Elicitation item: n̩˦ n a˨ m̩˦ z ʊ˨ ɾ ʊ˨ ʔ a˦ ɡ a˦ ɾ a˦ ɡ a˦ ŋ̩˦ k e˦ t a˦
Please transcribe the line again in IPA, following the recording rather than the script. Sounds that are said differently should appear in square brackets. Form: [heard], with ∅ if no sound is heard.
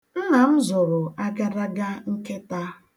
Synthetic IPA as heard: n̩˦ n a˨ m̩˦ z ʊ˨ ɾ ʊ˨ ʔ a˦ ɡ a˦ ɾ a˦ ɡ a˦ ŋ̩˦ k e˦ t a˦